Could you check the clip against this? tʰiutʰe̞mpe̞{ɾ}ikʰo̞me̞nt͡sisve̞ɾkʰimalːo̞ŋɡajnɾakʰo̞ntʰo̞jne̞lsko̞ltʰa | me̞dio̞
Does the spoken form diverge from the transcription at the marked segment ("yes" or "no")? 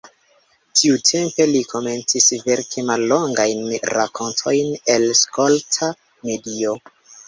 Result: yes